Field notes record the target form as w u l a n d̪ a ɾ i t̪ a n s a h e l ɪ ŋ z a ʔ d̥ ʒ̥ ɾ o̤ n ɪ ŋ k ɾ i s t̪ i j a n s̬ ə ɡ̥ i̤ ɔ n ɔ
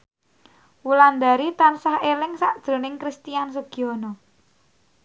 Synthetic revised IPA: w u l a n d̪ a ɾ i t̪ a n s a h e l ɪ ŋ s a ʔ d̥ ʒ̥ ɾ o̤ n ɪ ŋ k ɾ i s t̪ i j a n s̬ ə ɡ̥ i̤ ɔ n ɔ